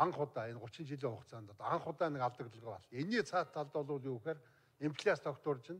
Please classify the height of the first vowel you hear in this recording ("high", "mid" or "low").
low